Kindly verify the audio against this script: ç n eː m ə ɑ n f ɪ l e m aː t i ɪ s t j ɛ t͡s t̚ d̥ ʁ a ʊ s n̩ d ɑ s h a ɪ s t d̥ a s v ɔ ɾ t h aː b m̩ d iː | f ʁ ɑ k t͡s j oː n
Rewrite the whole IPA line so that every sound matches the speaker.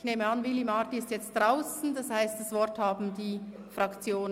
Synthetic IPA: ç n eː m ə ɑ n v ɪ l i m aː t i ɪ s t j ɛ t͡s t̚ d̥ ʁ a ʊ s n̩ d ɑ s h a ɪ s t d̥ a s v ɔ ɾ t h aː b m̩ d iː | f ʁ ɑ k t͡s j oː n